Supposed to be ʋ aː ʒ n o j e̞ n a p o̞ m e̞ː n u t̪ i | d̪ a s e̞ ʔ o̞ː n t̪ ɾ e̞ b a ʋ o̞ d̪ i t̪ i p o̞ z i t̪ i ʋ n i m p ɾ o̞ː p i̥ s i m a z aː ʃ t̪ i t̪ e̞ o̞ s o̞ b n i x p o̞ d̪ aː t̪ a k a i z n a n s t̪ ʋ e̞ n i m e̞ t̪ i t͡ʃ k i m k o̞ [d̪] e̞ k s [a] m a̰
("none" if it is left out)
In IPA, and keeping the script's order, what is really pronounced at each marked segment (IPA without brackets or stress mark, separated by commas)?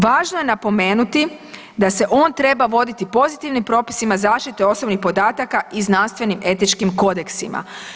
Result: d̪, i